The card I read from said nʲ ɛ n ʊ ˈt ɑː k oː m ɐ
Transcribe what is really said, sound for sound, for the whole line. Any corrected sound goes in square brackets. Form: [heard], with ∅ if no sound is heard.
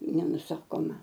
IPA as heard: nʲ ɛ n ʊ [ˈs] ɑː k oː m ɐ